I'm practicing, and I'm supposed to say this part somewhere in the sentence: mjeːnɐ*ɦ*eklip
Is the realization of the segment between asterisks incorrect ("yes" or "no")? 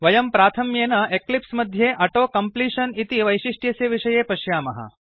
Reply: yes